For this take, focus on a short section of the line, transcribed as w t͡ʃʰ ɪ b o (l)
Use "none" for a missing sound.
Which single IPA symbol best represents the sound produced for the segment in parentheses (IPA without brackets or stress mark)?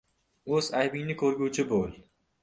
l